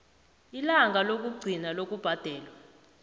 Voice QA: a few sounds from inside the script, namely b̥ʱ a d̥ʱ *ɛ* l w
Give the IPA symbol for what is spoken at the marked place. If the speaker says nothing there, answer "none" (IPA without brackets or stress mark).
ɛː